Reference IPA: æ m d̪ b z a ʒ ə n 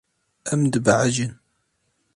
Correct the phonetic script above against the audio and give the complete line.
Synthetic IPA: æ m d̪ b ʕ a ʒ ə n